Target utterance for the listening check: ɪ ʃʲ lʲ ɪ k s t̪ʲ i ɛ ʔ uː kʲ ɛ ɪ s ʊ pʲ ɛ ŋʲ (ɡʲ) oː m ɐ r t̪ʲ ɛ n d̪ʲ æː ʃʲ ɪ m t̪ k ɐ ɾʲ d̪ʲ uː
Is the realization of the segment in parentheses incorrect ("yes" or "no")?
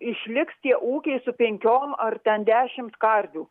yes